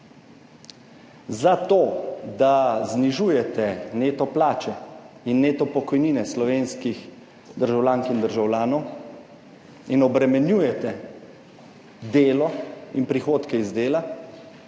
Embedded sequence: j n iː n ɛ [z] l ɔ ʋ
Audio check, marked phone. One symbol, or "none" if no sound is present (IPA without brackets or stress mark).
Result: s